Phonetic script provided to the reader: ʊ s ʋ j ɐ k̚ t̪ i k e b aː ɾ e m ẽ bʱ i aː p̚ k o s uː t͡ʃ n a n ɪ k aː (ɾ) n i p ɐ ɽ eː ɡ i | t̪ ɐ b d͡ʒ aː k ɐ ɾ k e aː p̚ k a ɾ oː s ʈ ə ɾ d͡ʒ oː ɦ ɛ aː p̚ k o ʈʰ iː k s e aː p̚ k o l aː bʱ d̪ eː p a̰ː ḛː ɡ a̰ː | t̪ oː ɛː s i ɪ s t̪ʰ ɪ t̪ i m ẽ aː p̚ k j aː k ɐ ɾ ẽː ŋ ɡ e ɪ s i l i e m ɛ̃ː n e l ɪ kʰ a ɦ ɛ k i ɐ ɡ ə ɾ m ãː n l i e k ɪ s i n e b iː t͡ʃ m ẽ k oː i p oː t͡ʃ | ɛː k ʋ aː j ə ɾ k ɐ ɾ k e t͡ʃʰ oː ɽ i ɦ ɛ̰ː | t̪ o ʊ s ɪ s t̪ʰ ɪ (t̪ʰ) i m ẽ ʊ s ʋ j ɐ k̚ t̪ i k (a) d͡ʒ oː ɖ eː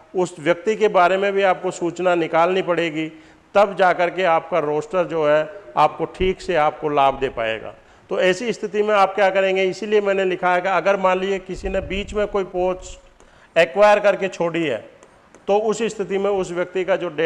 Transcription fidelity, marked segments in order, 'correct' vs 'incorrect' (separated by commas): incorrect, incorrect, correct